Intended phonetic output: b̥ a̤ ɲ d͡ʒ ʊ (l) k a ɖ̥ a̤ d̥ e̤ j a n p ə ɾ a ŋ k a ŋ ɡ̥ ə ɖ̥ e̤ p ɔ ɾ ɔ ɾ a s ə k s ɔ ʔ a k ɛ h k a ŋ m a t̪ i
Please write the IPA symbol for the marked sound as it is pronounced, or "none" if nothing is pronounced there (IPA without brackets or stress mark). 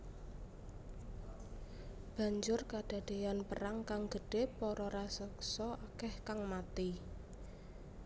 r